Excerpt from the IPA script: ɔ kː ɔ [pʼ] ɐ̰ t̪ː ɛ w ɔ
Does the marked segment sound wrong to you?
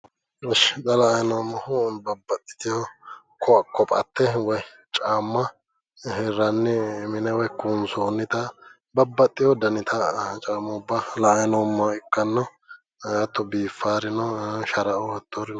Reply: no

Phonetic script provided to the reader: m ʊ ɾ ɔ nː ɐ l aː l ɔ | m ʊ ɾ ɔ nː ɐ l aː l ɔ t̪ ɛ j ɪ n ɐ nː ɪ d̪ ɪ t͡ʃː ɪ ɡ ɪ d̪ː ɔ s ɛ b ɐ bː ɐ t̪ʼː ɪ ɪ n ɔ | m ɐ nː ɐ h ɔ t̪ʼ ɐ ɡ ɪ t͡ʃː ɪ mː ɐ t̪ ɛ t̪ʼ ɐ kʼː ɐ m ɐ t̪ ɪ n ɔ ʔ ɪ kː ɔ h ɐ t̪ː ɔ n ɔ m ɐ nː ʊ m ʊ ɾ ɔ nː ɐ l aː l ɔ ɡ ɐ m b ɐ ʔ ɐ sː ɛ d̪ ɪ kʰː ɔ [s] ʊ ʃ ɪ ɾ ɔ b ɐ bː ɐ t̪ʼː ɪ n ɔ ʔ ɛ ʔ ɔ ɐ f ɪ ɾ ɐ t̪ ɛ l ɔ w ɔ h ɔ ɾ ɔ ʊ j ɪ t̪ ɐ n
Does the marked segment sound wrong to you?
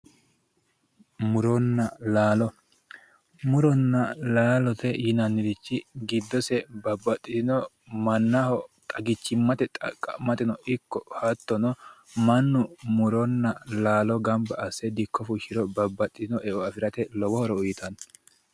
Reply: yes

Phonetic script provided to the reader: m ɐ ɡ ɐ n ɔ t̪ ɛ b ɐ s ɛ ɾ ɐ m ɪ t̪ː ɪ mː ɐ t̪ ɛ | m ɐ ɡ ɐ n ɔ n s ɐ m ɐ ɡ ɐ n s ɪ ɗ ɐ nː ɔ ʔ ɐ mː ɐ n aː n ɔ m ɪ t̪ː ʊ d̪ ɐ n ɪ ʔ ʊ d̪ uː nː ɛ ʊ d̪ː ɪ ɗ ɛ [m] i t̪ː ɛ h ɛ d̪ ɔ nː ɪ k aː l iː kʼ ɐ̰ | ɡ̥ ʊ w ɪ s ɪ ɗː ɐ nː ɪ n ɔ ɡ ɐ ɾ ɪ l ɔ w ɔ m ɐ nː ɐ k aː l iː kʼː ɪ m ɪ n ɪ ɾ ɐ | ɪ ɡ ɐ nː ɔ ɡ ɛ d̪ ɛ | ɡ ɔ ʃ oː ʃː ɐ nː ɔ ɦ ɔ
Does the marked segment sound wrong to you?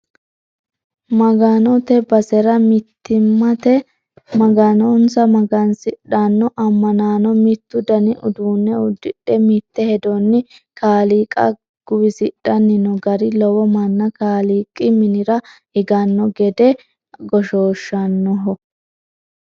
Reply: no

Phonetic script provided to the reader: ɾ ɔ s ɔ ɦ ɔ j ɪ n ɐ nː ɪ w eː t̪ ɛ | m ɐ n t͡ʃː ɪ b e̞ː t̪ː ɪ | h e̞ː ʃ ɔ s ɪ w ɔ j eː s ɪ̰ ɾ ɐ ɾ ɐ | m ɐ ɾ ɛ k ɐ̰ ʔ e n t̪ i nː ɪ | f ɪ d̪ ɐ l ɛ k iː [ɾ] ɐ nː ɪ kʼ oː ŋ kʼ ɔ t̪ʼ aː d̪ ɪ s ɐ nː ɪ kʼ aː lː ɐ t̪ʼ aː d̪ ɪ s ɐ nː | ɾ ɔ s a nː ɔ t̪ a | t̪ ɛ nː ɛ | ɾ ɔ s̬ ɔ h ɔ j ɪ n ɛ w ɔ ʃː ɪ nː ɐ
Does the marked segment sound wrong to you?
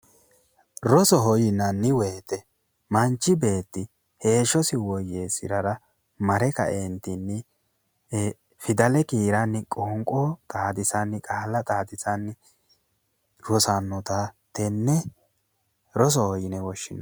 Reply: no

